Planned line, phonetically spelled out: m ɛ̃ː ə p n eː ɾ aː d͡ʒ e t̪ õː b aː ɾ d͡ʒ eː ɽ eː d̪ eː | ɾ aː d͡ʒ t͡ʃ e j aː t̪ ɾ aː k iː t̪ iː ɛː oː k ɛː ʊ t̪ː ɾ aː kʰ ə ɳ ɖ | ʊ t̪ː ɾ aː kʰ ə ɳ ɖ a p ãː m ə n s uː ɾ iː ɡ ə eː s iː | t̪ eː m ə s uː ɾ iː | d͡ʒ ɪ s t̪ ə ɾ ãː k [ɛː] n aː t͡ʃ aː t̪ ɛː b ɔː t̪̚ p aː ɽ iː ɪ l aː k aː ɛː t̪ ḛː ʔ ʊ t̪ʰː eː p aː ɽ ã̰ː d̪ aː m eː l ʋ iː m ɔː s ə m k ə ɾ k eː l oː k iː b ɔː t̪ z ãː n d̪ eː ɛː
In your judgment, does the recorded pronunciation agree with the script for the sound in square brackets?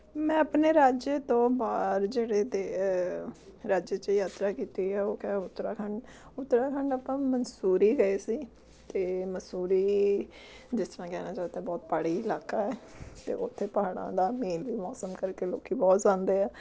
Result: yes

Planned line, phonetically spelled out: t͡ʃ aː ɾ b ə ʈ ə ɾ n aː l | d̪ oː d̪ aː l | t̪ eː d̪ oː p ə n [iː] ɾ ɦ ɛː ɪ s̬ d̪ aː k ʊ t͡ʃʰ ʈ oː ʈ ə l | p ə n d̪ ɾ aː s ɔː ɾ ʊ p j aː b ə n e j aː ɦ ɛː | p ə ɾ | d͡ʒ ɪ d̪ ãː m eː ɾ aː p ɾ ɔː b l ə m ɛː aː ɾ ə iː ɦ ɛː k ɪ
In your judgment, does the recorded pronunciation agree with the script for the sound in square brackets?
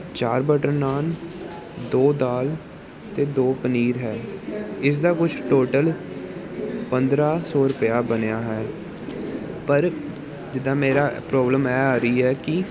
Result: yes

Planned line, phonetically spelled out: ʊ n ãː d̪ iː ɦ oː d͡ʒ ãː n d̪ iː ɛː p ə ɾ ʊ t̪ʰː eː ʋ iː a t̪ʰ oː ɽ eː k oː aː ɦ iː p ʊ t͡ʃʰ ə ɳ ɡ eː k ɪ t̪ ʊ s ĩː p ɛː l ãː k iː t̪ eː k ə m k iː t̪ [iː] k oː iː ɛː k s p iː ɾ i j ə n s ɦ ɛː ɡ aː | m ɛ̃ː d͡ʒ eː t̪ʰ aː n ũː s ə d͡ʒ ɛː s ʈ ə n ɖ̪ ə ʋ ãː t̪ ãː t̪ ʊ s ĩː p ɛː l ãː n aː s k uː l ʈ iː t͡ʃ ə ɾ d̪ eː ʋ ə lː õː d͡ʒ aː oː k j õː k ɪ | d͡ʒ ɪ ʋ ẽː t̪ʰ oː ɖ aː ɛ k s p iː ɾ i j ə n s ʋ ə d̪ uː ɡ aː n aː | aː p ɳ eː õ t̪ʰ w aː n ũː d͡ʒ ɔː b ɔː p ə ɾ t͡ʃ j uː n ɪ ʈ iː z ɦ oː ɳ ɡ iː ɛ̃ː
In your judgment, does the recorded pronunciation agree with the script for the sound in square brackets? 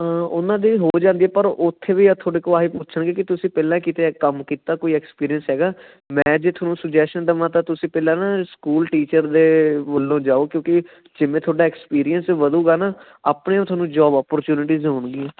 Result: no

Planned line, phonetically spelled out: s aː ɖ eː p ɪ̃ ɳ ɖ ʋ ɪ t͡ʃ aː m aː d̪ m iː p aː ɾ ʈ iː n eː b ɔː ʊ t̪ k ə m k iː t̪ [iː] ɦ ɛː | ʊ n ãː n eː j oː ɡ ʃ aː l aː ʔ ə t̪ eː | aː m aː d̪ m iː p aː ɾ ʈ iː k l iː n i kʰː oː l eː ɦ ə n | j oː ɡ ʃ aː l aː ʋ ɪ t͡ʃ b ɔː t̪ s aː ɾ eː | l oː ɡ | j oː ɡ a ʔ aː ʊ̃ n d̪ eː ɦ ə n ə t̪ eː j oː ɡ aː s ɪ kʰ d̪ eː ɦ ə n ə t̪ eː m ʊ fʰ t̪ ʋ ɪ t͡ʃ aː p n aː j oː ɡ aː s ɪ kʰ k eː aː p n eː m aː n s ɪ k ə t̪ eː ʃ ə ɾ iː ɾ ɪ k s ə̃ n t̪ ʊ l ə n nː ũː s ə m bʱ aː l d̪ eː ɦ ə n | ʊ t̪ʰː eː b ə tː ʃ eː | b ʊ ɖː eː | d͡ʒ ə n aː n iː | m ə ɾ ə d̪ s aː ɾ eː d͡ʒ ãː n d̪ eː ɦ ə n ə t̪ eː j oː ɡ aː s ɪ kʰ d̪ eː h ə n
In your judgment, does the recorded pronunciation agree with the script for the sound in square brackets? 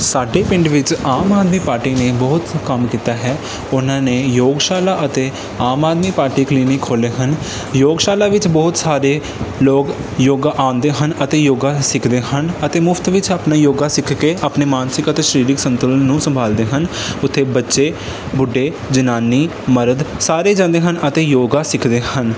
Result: no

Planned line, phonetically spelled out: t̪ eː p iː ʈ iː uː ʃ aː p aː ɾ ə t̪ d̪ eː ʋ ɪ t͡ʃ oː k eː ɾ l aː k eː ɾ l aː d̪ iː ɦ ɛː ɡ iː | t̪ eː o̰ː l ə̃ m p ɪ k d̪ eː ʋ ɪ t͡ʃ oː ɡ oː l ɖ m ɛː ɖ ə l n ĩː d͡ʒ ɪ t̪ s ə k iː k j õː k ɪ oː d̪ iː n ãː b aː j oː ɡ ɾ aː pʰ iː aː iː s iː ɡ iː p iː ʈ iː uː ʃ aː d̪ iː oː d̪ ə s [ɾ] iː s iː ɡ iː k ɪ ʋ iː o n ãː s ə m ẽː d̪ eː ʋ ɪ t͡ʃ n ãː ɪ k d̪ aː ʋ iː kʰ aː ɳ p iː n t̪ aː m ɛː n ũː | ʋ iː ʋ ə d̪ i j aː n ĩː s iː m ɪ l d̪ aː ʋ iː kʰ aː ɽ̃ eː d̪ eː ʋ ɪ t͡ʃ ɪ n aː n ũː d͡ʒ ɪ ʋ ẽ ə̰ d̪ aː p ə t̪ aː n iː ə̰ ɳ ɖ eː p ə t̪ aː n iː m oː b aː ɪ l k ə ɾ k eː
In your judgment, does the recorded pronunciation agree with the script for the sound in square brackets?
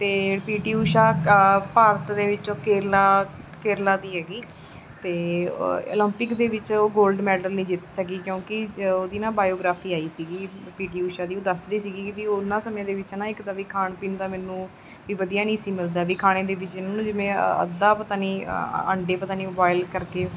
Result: yes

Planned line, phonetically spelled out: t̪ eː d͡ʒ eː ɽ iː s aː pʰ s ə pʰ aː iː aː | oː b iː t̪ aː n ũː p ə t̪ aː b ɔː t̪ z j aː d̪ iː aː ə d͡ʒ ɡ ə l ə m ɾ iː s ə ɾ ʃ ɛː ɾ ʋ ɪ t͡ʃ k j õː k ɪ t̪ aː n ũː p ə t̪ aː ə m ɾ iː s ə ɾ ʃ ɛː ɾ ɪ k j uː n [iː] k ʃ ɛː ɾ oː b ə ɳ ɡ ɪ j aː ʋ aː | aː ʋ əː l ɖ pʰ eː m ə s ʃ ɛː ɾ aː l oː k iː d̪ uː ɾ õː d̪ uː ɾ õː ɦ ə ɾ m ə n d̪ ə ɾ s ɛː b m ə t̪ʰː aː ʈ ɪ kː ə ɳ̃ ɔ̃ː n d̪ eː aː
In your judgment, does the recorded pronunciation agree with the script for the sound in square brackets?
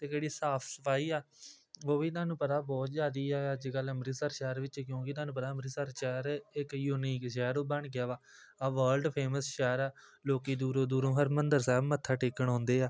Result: yes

